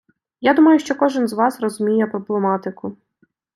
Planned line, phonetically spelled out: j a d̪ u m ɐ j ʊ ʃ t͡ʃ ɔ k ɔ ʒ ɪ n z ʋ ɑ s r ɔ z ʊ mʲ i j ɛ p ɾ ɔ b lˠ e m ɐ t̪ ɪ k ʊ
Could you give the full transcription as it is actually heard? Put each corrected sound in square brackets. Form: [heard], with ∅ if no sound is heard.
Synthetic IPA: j a d̪ u m ɐ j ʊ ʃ t͡ʃ ɔ k ɔ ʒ ɪ n z ʋ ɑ s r ɔ z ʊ mʲ i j ɛ p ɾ ɔ b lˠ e m [ɑ] t̪ ɪ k ʊ